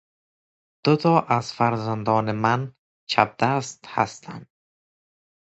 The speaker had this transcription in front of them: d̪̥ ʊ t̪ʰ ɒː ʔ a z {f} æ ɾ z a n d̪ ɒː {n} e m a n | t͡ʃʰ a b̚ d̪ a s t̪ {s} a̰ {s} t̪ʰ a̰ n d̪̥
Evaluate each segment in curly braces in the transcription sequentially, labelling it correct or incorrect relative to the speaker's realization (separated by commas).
correct, correct, incorrect, correct